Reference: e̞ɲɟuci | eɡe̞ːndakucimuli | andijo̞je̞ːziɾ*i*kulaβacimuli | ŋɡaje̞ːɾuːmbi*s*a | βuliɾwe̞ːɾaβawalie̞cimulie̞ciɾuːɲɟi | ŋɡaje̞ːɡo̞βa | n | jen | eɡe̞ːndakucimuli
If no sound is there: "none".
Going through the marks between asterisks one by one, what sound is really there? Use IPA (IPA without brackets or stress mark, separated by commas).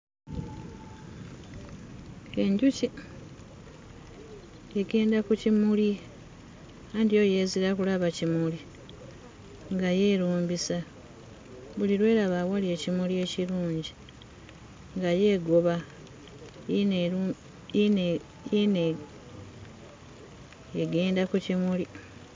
a, s